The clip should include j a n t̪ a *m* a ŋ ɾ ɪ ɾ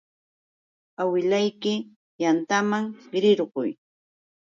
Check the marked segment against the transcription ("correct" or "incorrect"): correct